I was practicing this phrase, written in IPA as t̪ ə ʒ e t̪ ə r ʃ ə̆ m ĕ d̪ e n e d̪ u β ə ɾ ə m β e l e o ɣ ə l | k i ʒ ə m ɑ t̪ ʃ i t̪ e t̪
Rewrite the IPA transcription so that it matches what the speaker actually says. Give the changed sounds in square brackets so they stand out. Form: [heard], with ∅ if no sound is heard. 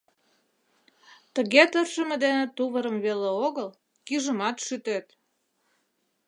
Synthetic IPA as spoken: t̪ ə [ɣ] e t̪ ə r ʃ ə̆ m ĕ d̪ e n e [t̪] u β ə ɾ ə m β e l e o ɣ ə l | k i ʒ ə m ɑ t̪ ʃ [y] t̪ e t̪